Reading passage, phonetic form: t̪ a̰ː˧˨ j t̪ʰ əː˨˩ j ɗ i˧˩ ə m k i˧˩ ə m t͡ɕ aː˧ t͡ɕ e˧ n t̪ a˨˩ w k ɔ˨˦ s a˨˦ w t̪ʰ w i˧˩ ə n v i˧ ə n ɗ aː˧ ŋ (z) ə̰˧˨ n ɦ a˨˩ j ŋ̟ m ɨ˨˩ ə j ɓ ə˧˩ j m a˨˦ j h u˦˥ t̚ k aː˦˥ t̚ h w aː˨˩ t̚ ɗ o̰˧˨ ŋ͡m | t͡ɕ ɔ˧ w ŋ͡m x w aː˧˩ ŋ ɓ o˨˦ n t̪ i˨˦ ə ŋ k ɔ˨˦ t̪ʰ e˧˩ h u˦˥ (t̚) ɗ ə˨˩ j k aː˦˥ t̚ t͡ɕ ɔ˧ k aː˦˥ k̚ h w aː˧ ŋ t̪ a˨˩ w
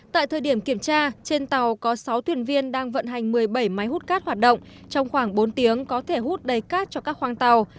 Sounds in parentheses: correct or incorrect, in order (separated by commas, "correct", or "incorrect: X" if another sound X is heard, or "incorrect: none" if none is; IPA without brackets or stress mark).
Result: incorrect: v, correct